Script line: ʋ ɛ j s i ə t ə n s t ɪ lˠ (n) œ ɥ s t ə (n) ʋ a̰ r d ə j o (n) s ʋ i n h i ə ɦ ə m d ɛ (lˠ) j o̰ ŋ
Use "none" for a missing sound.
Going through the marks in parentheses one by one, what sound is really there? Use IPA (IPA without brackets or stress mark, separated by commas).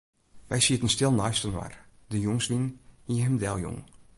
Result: n, n, ŋ, lˠ